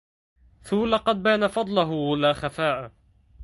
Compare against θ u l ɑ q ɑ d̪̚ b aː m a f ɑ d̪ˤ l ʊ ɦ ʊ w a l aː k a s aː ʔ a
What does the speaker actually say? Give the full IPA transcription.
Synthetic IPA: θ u l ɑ q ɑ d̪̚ b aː n a f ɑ d̪ˤ l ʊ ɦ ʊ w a l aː x a f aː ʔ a